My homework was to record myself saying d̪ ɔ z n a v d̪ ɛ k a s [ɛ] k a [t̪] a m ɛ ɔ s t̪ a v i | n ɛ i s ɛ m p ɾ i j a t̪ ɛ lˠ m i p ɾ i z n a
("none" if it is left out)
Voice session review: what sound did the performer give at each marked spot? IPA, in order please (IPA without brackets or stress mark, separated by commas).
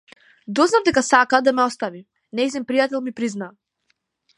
a, d̪